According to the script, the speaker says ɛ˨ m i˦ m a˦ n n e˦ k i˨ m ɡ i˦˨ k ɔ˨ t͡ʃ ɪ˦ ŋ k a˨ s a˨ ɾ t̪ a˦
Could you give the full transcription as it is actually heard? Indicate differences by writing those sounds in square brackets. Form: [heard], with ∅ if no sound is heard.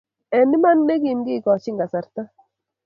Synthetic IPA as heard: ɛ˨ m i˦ m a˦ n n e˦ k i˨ m ɡ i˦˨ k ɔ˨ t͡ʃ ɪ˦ ŋ [ɡ] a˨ s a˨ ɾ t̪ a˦